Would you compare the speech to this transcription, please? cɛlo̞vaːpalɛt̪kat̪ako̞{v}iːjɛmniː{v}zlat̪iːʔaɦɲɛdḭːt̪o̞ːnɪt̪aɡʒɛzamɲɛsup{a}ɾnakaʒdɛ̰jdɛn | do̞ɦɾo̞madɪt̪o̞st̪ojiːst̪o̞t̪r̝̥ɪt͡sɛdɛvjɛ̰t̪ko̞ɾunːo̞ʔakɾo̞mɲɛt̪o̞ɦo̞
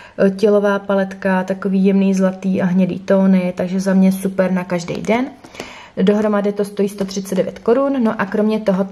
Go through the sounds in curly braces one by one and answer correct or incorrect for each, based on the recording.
correct, incorrect: none, incorrect: ɛ

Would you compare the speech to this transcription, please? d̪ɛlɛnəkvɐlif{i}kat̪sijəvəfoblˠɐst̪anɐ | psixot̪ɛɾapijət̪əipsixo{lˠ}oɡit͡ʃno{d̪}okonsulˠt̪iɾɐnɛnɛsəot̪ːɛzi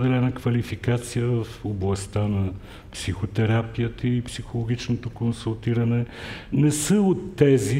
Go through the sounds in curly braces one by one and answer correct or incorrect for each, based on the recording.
correct, correct, incorrect: t̪

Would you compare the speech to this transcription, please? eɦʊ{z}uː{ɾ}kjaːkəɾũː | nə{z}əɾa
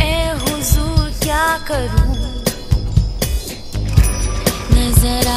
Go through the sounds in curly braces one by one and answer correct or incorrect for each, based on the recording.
correct, correct, correct

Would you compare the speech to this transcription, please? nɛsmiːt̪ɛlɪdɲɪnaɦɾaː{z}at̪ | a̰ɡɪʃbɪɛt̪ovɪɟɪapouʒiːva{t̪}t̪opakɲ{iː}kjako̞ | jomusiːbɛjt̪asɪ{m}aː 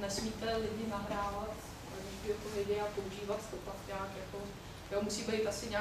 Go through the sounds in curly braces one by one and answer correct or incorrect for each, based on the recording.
incorrect: v, correct, incorrect: aː, incorrect: ɲ

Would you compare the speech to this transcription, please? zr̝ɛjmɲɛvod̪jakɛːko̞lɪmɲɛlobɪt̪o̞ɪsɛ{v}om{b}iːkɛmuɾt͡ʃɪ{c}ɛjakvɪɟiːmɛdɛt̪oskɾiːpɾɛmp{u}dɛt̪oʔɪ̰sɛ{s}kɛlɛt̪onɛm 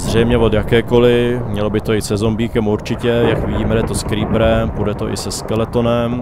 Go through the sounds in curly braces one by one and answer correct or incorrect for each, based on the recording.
incorrect: z, correct, correct, correct, correct

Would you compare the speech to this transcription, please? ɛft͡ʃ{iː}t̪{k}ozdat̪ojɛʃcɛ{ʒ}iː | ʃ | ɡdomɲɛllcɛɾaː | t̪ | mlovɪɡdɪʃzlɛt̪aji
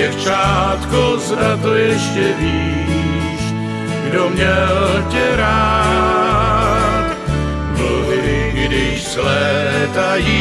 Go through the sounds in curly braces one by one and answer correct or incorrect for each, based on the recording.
incorrect: aː, correct, incorrect: v

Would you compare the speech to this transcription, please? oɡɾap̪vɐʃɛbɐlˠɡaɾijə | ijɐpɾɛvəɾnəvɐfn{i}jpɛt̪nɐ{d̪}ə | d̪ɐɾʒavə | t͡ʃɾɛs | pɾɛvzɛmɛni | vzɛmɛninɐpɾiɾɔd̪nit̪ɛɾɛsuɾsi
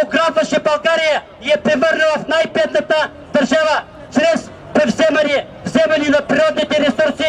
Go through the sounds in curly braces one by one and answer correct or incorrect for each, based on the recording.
incorrect: a, incorrect: t̪

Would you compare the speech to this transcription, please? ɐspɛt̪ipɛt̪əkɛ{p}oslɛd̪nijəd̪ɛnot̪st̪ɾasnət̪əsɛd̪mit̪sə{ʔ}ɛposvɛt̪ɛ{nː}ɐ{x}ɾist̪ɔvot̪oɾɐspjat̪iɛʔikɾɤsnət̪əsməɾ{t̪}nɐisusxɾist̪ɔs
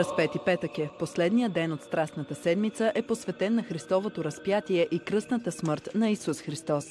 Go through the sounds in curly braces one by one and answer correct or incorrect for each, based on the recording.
correct, correct, correct, correct, correct

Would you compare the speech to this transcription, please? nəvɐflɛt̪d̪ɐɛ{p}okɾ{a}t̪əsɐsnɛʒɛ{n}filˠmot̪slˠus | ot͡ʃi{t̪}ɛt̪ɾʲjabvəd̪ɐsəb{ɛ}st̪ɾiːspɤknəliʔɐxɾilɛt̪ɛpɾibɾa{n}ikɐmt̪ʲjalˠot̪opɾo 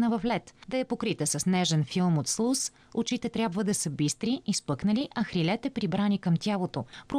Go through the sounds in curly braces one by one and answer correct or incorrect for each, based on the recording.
correct, incorrect: i, correct, correct, incorrect: i, correct

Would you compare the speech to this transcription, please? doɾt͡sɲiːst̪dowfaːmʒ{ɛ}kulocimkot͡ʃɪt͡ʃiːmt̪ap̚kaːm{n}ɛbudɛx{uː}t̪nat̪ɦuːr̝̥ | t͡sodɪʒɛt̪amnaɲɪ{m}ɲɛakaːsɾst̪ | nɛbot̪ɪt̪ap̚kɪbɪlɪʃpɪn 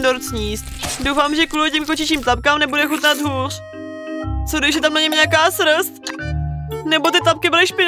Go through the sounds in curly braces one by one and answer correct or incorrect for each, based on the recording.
correct, correct, incorrect: u, correct

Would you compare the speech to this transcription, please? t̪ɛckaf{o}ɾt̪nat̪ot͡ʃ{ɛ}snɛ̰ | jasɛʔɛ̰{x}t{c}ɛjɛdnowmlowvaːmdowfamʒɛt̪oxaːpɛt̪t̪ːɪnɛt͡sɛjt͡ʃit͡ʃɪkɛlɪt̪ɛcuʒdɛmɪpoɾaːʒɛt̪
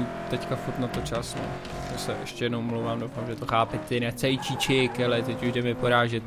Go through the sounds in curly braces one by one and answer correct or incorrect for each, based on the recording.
incorrect: u, incorrect: a, incorrect: ʃ, correct

